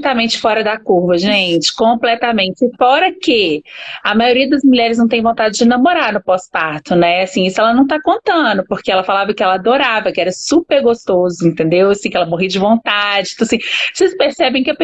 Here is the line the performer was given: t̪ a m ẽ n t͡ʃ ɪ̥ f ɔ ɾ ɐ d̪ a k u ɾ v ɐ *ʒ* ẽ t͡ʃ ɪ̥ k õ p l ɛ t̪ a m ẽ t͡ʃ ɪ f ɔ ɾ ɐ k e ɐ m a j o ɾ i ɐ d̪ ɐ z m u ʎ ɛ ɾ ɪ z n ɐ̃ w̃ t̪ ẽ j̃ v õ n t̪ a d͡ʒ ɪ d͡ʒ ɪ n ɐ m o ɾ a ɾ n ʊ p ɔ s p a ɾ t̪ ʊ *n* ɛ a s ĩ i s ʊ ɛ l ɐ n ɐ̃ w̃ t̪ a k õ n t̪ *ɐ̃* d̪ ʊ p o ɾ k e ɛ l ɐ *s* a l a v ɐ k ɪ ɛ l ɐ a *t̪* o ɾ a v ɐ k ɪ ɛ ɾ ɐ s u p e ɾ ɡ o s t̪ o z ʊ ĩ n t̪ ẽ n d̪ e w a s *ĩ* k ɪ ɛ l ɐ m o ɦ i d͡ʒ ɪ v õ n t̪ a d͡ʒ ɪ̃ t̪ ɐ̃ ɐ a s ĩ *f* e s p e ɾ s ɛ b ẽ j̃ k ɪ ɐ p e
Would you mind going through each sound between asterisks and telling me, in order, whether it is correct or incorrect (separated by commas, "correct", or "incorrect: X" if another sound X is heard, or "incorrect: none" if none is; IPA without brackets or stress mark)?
correct, correct, correct, incorrect: f, incorrect: d̪, correct, incorrect: s